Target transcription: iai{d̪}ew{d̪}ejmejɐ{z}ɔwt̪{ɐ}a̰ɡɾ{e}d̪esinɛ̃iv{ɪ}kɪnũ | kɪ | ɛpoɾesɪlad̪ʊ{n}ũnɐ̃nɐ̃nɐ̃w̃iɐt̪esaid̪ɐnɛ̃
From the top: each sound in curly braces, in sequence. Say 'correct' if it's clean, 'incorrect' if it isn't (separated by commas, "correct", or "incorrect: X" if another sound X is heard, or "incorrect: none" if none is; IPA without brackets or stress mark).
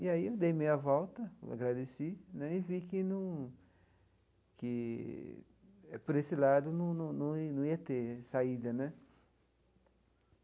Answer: incorrect: none, correct, incorrect: v, correct, incorrect: a, incorrect: i, correct